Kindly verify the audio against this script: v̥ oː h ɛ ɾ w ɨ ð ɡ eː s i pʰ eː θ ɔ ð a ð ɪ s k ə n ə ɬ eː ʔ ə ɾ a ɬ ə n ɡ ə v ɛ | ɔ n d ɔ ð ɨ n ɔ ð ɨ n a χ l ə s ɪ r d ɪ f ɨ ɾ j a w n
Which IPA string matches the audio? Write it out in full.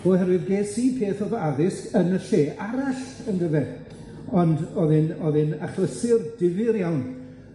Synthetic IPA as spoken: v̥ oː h ɛ ɾ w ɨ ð ɡ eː s i pʰ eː θ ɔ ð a ð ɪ s k ə n ə ɬ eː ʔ a ɾ a ɬ ə n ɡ ə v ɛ | ɔ n d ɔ ð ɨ n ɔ ð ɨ n a χ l ə s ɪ r d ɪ v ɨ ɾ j a w n

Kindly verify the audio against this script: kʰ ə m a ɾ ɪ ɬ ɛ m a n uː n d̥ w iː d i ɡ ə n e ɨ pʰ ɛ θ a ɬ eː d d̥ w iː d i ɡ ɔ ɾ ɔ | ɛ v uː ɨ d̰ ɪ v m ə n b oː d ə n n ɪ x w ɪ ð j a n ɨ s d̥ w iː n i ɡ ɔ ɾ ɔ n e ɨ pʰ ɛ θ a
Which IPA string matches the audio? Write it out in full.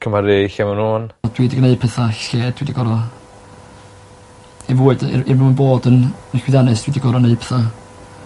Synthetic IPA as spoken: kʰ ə m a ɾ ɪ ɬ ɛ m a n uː n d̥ w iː d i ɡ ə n e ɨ pʰ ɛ θ a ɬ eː d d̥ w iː d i ɡ ɔ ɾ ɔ | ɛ v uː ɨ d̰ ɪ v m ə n b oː d ə n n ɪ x w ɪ ð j a n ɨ s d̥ w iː d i ɡ ɔ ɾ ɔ n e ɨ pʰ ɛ θ a

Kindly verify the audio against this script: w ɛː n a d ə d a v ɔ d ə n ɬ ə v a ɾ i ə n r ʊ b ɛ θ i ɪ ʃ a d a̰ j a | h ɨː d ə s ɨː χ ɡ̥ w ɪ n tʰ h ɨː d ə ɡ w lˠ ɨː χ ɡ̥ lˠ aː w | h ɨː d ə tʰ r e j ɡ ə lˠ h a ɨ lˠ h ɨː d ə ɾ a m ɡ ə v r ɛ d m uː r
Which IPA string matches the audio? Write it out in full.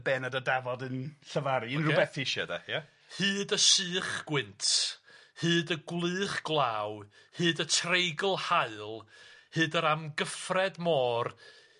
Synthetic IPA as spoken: b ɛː n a d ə d a v ɔ d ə n ɬ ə v a ɾ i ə n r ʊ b ɛ θ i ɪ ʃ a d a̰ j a | h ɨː d ə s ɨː χ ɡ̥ w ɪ n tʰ h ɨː d ə ɡ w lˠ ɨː χ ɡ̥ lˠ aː w | h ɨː d ə tʰ r e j ɡ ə lˠ h a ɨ lˠ h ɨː d ə ɾ a m ɡ ə f r ɛ d m ɔː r

